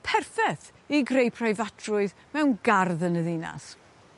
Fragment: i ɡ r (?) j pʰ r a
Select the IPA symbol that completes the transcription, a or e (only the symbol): e